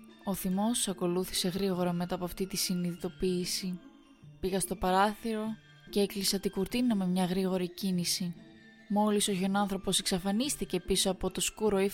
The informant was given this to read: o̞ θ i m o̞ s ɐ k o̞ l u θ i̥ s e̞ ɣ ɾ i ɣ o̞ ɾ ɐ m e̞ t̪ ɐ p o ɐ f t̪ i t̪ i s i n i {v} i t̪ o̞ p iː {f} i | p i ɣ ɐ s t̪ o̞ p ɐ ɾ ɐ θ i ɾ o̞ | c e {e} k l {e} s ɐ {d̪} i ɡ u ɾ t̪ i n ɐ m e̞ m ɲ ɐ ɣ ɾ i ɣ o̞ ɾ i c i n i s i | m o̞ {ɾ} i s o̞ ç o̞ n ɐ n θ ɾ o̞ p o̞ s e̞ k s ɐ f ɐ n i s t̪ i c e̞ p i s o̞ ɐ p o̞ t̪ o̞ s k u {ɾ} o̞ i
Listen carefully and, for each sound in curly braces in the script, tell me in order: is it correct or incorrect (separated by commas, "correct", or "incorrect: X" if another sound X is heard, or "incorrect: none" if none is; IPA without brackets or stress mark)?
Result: incorrect: ð, incorrect: s, correct, incorrect: i, incorrect: t̪, incorrect: l, correct